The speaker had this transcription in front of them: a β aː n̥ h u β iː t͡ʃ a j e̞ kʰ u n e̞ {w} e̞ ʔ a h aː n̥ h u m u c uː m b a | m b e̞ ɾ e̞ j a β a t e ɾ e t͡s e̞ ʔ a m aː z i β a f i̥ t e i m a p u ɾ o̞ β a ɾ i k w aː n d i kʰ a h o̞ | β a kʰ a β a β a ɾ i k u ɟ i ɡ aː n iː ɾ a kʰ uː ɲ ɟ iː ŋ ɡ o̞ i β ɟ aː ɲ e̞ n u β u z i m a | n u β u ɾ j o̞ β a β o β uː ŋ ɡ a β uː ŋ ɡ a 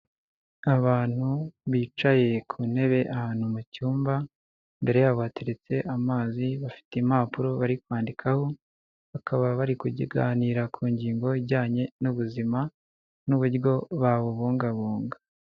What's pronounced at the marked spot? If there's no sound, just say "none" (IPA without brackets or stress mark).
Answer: β